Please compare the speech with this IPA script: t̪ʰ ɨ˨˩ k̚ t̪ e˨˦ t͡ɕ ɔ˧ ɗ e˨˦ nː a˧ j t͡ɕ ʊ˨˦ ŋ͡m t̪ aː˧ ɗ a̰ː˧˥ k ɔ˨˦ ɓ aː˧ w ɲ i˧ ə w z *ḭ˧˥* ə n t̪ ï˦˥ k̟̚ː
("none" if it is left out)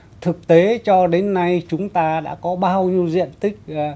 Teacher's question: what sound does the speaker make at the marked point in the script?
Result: ḭ˧˨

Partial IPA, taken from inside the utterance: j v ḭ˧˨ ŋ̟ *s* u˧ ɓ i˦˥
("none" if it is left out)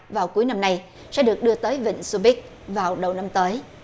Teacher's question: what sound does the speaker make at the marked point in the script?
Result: s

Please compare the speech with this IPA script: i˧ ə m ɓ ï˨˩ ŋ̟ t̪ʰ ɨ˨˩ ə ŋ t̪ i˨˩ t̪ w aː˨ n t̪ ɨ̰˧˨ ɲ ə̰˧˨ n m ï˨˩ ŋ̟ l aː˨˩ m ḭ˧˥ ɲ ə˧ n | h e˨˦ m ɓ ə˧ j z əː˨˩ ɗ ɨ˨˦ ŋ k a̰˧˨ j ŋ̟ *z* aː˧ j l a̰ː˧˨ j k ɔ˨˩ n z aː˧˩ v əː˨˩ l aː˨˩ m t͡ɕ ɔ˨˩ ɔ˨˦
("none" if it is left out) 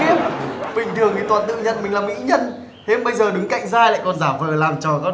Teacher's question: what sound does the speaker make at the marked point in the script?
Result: z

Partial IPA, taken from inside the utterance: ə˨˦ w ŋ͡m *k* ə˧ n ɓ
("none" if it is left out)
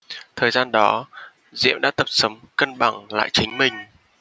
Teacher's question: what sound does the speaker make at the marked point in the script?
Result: k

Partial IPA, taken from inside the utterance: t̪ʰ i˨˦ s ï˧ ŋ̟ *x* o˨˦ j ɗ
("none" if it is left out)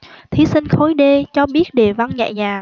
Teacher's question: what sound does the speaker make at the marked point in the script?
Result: x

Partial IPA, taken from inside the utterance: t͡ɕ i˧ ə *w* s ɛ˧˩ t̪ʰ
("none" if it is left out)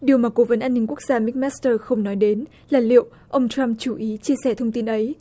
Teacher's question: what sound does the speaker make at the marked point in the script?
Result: none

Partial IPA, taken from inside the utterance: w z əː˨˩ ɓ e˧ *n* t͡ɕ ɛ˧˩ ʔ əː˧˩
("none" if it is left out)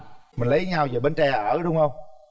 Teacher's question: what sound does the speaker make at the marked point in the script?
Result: n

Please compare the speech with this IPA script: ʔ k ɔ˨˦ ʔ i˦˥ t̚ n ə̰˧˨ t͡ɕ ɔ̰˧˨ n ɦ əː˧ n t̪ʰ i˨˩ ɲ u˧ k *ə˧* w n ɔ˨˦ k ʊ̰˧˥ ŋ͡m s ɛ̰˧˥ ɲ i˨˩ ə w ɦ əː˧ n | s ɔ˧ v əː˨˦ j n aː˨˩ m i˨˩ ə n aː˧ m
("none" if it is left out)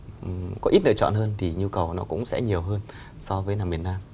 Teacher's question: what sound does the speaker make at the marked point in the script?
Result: ə˨˩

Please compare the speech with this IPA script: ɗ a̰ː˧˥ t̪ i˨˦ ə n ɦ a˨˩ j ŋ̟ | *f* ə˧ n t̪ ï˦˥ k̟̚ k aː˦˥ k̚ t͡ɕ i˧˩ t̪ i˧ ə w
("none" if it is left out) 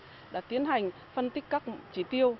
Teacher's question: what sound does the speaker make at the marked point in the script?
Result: f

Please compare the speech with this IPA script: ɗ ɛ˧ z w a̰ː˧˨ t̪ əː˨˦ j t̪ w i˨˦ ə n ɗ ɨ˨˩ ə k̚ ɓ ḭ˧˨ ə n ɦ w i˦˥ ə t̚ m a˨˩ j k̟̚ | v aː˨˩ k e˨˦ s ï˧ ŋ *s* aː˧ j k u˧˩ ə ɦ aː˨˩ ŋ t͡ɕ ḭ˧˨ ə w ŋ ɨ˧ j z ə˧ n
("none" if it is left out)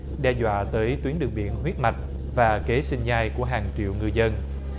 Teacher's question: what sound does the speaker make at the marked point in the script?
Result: z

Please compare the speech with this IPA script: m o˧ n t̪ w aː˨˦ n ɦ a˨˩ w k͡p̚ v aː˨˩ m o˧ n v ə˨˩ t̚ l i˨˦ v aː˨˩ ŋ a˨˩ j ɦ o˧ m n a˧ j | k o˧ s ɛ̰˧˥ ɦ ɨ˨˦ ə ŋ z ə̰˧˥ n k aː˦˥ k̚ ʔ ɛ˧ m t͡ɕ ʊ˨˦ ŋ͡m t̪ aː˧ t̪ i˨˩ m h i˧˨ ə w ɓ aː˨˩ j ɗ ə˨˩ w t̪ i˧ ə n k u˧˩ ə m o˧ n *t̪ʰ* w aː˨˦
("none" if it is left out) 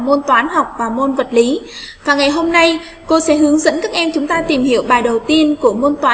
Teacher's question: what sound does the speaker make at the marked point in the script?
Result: t̪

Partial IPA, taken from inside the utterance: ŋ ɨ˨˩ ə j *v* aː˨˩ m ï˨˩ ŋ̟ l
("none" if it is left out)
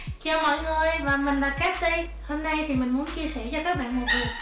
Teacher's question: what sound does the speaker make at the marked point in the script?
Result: v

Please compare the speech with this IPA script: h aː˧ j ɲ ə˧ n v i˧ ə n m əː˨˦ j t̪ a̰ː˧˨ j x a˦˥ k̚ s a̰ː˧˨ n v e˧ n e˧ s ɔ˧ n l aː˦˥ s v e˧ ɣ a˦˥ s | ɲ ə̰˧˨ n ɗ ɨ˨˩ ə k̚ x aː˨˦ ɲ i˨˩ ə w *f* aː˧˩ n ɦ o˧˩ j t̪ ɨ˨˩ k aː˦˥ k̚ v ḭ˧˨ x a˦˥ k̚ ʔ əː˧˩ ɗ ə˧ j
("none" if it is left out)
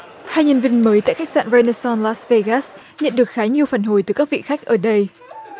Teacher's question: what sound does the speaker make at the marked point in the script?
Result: f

